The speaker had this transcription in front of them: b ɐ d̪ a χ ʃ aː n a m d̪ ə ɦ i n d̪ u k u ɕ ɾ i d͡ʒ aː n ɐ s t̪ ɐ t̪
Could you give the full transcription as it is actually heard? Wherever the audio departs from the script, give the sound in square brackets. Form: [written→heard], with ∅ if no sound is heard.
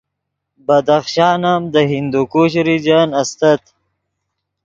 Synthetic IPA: b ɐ d̪ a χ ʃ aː n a m d̪ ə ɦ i n d̪ u k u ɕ ɾ i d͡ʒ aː n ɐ s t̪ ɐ t̪